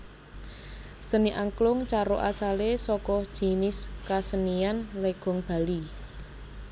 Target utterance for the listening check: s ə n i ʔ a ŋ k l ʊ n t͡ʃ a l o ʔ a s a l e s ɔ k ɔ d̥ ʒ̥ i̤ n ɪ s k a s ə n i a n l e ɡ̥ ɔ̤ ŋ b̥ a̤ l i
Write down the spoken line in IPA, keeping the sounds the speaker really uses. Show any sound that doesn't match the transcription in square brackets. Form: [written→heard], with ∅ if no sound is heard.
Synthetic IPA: s ə n i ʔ a ŋ k l ʊ [n→ŋ] t͡ʃ a [l→ɾ] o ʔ a s a l e s ɔ k ɔ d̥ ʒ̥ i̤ n ɪ s k a s ə n i a n l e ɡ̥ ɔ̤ ŋ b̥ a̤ l i